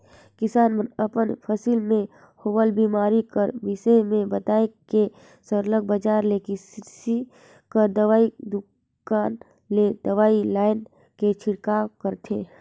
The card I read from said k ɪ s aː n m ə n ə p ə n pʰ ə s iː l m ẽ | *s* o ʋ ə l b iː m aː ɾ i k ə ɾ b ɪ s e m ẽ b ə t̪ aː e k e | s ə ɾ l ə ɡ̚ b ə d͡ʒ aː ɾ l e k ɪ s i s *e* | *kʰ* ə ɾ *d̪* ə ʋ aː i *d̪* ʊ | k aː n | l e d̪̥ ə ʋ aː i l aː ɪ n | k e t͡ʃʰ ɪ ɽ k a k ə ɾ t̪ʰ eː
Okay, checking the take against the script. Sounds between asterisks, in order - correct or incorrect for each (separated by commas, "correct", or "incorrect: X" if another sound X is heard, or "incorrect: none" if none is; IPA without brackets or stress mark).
incorrect: h, incorrect: i, incorrect: k, correct, correct